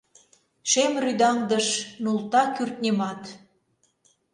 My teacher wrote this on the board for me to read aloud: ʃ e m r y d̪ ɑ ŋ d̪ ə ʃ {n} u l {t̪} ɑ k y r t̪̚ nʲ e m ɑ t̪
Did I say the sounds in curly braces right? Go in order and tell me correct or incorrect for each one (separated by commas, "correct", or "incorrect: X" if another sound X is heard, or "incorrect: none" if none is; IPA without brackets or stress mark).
correct, correct